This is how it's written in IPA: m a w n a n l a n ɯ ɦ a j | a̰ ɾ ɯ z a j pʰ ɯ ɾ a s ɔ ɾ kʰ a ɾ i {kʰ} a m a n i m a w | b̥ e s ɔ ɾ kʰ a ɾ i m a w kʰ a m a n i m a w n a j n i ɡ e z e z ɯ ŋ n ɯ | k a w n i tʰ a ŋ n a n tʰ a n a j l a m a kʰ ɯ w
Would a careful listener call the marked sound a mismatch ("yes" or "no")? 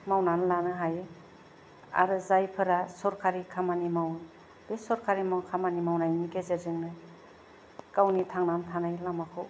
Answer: no